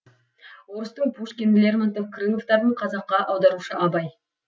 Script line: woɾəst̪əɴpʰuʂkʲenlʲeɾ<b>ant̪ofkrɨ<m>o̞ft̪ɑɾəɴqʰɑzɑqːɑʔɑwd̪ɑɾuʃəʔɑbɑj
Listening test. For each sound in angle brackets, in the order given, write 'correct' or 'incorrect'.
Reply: incorrect, correct

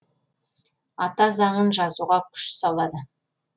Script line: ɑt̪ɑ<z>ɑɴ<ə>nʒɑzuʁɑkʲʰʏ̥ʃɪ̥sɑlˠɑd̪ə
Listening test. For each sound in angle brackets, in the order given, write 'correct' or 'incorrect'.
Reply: correct, correct

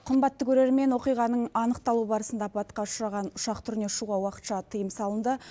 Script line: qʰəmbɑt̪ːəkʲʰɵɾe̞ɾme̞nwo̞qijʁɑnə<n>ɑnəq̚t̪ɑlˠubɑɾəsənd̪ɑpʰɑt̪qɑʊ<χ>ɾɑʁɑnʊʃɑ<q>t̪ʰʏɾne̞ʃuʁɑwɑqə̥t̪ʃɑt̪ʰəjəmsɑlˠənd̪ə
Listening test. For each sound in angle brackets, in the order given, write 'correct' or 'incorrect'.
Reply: incorrect, incorrect, correct

